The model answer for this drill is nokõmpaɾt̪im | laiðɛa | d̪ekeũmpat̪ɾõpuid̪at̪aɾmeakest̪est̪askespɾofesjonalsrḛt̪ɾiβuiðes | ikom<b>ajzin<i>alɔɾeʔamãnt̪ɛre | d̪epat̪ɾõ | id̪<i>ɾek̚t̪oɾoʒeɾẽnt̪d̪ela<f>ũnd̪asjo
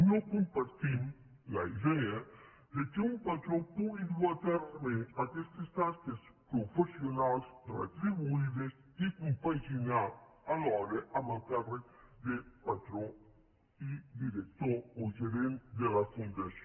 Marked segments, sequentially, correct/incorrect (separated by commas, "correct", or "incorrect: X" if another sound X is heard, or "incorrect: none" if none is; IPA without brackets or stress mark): incorrect: p, incorrect: a, correct, correct